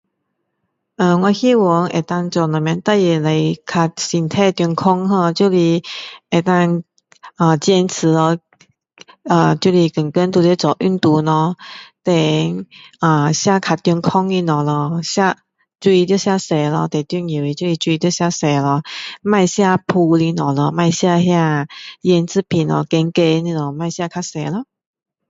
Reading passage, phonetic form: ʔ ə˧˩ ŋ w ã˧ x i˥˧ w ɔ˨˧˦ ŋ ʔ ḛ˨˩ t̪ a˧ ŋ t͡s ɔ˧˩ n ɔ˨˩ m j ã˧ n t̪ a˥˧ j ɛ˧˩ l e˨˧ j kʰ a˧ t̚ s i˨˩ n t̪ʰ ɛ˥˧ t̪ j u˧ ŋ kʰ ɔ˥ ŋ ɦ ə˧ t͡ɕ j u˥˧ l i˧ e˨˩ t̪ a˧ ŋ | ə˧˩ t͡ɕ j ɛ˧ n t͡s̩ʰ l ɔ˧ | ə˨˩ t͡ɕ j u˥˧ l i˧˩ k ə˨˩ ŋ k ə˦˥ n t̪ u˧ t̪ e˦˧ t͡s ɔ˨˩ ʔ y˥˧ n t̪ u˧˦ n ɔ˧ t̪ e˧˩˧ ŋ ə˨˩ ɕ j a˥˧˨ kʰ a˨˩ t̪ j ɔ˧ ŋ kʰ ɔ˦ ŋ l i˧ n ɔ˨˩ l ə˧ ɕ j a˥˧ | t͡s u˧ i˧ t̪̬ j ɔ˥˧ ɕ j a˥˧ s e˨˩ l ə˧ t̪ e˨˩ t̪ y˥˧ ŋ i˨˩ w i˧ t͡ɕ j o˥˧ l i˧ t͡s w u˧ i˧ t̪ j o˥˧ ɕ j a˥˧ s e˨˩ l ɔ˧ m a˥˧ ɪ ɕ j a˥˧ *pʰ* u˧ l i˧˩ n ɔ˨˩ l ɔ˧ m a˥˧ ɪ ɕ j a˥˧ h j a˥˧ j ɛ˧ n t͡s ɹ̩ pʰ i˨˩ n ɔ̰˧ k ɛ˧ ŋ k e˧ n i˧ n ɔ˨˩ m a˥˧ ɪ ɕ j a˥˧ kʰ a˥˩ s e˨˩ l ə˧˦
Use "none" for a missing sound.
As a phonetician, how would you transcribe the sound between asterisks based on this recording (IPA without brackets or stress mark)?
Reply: pʰ